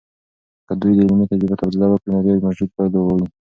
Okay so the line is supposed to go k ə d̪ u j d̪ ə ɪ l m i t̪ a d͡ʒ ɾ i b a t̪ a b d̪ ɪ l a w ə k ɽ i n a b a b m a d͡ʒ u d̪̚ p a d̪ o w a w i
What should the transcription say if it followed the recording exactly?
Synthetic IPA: k ə d̪ u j d̪ ə ɪ l m i t̪ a d͡ʒ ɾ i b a t̪ a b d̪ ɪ l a w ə k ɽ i n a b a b m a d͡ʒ u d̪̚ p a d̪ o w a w i